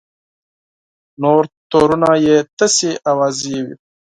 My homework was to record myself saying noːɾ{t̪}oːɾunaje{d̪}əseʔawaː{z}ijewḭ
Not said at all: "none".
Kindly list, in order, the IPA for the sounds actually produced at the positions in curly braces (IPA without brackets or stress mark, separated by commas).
t̪, t̪, z